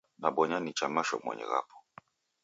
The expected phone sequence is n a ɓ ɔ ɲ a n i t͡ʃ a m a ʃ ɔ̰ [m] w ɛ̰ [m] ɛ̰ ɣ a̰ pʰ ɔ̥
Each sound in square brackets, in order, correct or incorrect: correct, incorrect: ɲ

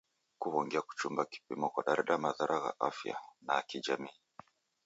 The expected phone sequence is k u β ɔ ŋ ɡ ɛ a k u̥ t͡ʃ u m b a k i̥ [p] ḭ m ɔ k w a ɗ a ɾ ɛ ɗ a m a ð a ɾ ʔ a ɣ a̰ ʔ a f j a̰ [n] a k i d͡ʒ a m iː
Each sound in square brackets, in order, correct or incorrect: correct, correct

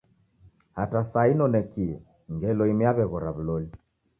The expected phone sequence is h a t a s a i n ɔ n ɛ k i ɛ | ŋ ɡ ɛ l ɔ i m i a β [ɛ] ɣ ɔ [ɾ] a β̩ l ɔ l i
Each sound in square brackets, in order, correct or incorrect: correct, correct

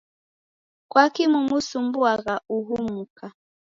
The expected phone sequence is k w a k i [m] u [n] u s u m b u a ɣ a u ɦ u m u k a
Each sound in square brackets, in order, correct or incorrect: correct, incorrect: m

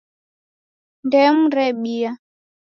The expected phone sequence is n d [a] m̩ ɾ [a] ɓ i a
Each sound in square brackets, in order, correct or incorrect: incorrect: ɛ, incorrect: ɛ

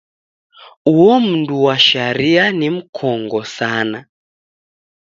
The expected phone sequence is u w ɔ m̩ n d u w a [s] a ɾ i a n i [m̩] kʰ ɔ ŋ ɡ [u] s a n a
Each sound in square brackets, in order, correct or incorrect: incorrect: ʃ, correct, incorrect: ɔ

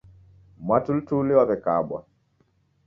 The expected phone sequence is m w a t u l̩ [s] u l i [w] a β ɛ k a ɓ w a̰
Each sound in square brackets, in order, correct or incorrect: incorrect: t, correct

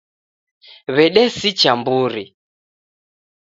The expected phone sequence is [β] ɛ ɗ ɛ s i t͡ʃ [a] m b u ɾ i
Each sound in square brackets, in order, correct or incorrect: correct, correct

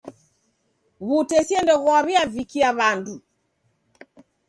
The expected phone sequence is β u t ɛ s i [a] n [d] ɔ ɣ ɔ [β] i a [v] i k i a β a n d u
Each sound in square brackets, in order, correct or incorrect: incorrect: ɛ, correct, correct, correct

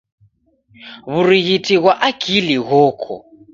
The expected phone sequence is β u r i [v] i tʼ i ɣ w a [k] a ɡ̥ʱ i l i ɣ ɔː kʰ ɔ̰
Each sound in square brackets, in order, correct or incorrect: incorrect: ɣ, incorrect: ʔ

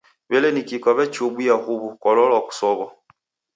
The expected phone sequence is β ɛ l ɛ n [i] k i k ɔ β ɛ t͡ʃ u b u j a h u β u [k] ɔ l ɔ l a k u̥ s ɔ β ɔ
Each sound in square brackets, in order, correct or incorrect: correct, correct

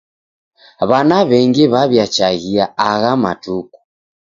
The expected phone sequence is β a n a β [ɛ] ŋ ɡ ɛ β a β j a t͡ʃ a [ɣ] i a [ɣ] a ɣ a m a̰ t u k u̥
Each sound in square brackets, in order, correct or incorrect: correct, correct, incorrect: none

